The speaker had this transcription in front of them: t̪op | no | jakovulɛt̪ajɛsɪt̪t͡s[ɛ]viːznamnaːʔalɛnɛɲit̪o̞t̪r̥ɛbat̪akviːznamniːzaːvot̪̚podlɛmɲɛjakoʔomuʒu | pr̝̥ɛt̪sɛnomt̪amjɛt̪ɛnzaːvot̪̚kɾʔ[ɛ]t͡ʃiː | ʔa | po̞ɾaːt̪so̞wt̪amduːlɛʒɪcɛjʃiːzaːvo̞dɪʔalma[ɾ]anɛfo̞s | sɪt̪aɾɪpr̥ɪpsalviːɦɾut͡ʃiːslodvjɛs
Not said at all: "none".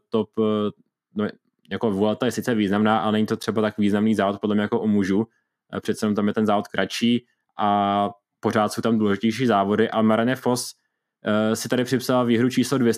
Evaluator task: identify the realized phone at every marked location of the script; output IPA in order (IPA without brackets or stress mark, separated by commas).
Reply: ɛ, a, ɾ